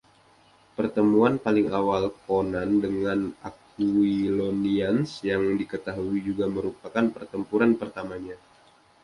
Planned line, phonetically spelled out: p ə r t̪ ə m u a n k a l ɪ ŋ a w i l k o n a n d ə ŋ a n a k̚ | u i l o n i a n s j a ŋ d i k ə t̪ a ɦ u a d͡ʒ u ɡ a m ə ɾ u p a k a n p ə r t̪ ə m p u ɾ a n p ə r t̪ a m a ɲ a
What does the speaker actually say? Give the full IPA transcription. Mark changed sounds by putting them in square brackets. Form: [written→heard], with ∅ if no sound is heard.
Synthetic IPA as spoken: p ə r t̪ ə m u a n [k→p] a l ɪ ŋ a w [i→a] l k o n a n d ə ŋ a n a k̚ | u i l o n i a n s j a ŋ d i k ə t̪ a ɦ u [a→i] d͡ʒ u ɡ a m ə ɾ u p a k a n p ə r t̪ ə m p u ɾ a n p ə r t̪ a m a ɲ a